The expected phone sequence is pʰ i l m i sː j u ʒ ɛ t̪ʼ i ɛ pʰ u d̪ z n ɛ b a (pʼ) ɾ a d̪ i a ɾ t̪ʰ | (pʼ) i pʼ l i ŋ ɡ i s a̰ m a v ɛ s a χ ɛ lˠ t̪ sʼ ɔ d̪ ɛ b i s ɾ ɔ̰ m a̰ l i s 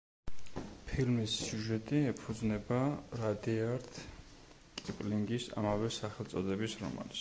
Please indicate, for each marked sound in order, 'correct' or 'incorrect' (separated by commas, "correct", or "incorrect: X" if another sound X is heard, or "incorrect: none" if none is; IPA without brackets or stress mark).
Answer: incorrect: none, incorrect: kʼ